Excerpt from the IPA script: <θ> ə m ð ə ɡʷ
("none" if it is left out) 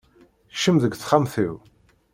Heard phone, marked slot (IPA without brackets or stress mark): ʃ